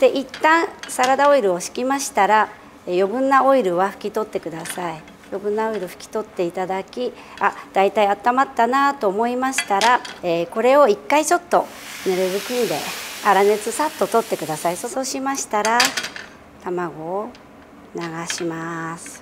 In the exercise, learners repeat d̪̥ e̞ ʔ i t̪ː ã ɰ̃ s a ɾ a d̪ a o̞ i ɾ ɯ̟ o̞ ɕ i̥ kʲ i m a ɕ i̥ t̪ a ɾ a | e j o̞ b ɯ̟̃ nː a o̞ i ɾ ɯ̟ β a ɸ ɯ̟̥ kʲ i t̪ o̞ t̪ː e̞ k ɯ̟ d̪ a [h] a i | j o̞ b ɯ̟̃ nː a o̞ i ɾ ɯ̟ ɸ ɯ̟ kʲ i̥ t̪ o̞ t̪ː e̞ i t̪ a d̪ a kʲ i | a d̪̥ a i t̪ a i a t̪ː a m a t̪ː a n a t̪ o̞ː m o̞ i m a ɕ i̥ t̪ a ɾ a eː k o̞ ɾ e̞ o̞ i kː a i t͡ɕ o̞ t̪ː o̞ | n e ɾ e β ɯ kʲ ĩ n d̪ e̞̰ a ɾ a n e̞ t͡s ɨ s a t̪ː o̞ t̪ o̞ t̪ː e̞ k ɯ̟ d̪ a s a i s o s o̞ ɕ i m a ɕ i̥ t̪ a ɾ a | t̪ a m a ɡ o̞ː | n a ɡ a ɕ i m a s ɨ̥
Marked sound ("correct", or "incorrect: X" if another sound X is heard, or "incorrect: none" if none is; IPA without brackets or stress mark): incorrect: s